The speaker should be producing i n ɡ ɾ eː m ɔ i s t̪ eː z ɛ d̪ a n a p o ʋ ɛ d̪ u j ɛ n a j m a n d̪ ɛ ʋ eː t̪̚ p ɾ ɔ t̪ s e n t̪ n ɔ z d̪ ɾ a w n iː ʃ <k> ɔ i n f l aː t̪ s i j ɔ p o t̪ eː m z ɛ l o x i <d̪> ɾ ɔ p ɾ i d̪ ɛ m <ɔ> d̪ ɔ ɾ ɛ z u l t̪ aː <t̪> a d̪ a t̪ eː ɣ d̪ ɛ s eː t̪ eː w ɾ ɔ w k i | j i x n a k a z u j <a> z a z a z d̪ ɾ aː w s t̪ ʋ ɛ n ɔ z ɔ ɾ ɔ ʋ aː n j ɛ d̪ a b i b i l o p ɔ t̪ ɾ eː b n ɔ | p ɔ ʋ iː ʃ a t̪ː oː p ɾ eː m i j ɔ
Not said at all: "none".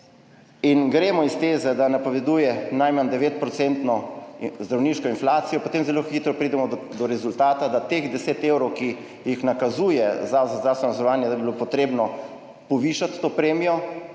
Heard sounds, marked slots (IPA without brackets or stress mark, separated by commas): k, t̪, ɔ, t̪, ɛ